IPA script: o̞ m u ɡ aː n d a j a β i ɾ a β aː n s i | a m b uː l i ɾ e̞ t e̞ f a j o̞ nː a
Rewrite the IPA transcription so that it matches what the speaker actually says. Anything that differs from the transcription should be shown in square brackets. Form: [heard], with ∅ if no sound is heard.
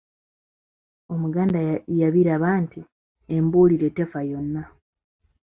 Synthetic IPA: o̞ m u ɡ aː n d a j a β i ɾ a β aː n [t] i | [e] m b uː l i ɾ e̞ t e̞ f a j o̞ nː a